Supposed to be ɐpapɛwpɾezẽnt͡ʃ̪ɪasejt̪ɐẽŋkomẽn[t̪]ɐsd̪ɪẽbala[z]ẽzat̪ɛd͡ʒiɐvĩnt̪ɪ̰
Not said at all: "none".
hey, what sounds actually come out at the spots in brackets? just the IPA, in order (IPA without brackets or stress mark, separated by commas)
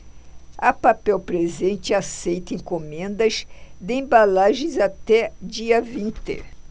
d̪, ʒ